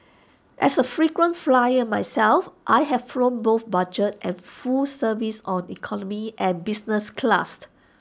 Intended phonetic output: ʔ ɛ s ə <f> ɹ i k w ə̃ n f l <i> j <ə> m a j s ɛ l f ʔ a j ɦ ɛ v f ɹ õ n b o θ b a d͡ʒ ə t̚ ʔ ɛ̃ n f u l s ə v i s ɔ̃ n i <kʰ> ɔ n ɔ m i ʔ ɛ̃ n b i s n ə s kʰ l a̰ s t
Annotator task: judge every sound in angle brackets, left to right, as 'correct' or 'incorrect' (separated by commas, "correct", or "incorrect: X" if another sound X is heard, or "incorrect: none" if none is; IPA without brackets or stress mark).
correct, incorrect: a, correct, correct